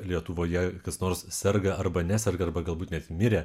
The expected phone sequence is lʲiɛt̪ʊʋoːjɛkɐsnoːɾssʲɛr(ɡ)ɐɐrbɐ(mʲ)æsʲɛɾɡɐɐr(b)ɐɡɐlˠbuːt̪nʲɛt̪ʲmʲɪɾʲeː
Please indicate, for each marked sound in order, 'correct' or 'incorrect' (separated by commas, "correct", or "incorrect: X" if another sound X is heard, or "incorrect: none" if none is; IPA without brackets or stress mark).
correct, incorrect: nʲ, correct